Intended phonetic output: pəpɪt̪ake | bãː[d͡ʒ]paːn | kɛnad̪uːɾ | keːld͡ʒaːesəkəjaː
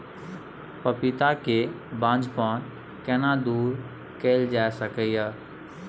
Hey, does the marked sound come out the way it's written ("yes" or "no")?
yes